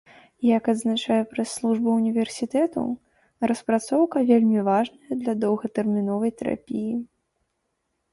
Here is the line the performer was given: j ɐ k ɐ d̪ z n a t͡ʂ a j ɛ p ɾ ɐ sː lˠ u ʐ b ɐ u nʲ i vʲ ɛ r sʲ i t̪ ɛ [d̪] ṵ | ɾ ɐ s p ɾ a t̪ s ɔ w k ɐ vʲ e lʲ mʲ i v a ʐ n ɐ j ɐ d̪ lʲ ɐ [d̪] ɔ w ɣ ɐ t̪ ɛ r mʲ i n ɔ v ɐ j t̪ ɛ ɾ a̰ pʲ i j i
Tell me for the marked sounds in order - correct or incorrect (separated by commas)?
incorrect, correct